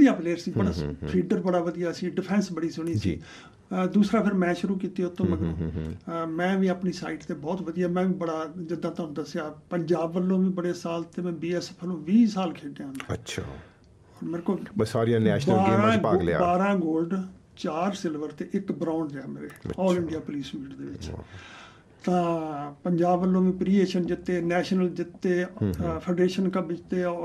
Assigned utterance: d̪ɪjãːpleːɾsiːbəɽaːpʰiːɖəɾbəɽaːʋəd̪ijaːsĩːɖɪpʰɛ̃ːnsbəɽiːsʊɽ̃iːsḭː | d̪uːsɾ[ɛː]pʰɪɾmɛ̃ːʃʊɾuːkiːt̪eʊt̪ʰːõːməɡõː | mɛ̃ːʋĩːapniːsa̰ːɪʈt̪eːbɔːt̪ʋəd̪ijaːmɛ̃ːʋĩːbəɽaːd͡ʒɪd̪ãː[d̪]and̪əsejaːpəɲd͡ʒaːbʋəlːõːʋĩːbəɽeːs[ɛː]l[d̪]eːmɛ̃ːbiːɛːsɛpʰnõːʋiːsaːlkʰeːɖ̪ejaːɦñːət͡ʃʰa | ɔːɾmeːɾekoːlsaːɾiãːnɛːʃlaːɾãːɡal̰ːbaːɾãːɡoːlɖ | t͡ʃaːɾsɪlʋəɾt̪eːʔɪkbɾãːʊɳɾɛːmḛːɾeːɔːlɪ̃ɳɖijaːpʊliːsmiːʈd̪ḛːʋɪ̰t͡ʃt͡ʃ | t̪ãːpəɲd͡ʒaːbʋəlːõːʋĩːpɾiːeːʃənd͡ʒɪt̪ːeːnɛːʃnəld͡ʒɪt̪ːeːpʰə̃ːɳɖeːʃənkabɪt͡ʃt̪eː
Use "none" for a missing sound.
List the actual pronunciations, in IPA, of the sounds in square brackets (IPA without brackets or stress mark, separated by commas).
aː, t̪, aː, t̪